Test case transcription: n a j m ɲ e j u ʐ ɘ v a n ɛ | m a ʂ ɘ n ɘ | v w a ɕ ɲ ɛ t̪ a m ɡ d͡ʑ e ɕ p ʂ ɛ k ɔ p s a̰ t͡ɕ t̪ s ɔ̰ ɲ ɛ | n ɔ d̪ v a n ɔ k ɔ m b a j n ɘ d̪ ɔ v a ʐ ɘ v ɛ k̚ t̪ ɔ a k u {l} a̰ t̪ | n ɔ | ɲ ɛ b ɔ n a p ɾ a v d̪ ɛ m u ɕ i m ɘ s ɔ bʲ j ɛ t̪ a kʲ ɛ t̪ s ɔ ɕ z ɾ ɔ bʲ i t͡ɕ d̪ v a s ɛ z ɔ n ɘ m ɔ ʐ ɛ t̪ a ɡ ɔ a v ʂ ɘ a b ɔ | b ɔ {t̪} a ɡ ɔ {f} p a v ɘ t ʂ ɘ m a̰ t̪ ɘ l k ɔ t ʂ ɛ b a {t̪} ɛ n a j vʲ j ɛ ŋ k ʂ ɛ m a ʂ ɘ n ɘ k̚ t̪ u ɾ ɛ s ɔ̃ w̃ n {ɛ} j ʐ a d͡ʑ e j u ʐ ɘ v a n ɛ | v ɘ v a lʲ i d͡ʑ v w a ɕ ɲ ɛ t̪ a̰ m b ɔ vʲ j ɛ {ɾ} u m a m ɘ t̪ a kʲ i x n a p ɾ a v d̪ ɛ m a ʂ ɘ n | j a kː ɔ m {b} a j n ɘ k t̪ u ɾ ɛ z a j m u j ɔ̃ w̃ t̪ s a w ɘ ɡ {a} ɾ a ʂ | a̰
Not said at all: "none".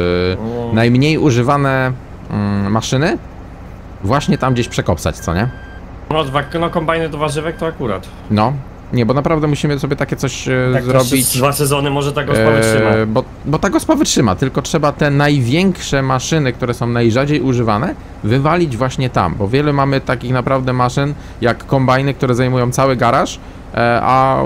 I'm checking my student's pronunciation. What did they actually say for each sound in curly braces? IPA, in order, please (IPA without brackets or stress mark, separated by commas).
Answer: ɾ, t̪, s, t̪, a, l, b, a